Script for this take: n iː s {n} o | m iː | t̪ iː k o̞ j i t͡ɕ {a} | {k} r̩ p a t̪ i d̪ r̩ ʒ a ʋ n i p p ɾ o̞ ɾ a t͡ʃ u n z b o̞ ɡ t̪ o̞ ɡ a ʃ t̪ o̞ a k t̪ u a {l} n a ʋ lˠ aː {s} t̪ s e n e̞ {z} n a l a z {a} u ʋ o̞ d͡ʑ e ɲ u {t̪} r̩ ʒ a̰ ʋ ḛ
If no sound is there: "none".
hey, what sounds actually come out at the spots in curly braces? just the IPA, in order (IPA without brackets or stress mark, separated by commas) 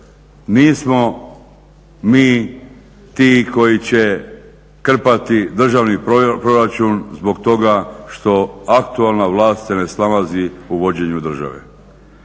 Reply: m, e, k, l, s, s, i, d̪